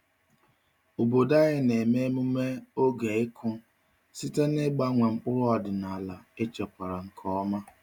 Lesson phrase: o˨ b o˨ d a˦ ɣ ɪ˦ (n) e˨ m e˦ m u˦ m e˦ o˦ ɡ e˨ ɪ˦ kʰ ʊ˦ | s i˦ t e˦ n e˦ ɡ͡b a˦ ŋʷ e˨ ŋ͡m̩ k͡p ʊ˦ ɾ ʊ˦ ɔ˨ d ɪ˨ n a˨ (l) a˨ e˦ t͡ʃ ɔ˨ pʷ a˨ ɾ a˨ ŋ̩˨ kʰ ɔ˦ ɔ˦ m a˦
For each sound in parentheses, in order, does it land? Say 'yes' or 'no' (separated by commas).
yes, yes